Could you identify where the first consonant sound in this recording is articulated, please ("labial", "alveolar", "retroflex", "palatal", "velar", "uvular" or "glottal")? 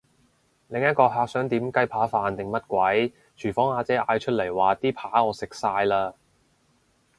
alveolar